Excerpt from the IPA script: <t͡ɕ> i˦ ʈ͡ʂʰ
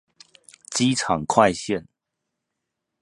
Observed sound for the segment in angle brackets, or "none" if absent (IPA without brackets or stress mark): t͡ɕ